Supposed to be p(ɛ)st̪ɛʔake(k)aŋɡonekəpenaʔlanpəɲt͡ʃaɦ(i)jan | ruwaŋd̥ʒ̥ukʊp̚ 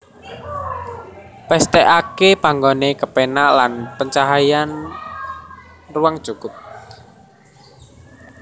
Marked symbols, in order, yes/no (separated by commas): yes, no, no